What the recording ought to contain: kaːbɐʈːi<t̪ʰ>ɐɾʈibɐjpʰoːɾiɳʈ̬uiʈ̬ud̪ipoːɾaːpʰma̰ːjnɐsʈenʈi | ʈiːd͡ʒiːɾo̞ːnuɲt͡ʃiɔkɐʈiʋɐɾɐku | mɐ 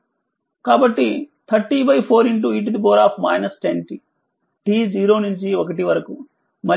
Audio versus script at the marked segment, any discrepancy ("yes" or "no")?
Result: no